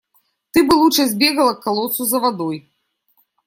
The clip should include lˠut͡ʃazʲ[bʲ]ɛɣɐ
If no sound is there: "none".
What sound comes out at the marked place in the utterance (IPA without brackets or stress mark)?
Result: bʲ